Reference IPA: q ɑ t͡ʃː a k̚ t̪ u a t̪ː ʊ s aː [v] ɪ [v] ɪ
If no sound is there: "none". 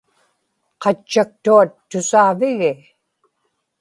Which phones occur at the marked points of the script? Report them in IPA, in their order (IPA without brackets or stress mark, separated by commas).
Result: v, ɣ